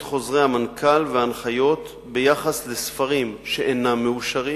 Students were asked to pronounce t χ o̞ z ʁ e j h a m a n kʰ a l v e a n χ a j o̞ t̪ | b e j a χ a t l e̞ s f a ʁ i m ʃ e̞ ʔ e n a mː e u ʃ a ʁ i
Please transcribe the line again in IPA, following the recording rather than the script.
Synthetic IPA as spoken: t χ o̞ z ʁ e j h a m a n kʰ a l v e a n χ a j o̞ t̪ | b e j a χ a s l e̞ s f a ʁ i m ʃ e̞ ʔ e n a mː e u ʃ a ʁ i

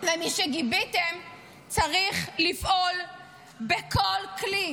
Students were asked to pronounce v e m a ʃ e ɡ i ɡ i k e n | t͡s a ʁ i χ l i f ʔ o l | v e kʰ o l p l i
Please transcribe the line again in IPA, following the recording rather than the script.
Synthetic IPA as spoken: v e m i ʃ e ɡ i b i t e m | t͡s a ʁ i χ l i f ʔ o l | b e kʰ o l k l i

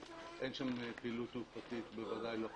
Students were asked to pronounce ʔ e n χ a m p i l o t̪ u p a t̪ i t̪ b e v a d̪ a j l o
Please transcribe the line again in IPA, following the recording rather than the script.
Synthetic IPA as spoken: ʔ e n ʃ a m p i l u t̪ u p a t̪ i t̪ b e v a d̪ a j l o

